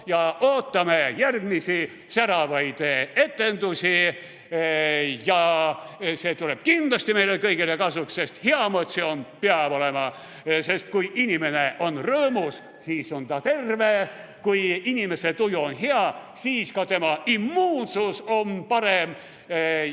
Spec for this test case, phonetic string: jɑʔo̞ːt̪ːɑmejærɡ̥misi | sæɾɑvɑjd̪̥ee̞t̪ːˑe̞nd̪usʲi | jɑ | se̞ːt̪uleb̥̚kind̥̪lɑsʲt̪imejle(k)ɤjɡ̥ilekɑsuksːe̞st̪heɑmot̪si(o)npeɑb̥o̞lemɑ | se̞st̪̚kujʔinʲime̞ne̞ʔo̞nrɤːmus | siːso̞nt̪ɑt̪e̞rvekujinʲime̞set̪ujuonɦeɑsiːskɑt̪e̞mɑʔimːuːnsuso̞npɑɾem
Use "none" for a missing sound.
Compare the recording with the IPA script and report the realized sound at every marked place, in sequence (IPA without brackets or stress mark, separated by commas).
k, o